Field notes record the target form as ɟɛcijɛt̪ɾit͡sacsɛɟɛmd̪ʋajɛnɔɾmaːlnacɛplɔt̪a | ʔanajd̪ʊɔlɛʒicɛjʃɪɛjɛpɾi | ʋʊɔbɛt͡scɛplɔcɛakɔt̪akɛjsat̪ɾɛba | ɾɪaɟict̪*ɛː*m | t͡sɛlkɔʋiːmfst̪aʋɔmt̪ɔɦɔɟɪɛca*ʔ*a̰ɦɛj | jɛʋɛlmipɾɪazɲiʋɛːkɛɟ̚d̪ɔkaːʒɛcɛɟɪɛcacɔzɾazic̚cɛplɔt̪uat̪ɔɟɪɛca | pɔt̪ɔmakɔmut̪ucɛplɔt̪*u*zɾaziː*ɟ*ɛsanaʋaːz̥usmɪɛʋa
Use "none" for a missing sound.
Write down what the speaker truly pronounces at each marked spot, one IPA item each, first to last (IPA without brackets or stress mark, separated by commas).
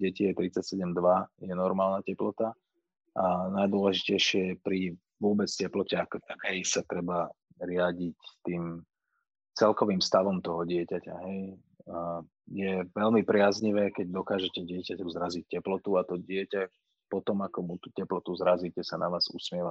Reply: iː, c, u, c